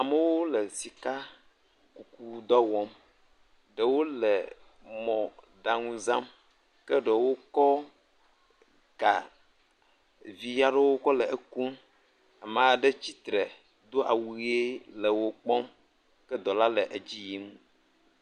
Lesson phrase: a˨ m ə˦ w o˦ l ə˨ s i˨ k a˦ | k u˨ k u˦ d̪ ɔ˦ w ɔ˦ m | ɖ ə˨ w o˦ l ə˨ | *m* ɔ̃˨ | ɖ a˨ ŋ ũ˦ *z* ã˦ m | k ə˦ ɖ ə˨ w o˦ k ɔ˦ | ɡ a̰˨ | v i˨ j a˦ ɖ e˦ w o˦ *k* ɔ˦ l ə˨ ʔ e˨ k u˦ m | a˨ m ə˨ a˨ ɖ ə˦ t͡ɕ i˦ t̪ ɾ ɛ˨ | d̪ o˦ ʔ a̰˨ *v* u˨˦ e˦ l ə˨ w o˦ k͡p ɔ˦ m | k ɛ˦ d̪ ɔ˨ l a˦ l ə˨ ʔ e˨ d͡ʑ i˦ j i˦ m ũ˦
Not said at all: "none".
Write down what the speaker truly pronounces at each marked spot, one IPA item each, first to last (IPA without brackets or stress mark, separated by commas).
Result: m, z, k, w